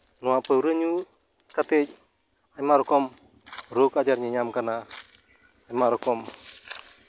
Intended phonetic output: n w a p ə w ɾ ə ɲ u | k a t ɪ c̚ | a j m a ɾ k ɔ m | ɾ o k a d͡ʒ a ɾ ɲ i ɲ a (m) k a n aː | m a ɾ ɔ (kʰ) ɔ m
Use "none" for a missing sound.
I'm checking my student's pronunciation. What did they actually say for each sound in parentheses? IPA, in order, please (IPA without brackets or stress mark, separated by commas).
m, k